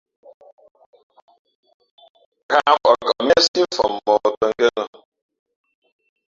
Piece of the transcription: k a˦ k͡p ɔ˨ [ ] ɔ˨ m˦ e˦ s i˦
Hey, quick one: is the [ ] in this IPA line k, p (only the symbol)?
k